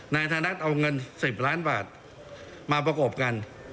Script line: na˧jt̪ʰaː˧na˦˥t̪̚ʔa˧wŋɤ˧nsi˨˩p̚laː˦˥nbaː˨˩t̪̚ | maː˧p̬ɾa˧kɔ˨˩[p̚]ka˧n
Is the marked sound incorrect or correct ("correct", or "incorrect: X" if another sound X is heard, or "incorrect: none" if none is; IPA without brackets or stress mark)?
correct